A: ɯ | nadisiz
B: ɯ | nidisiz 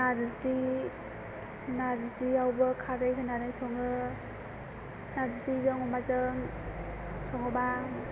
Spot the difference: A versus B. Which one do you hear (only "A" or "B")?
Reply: A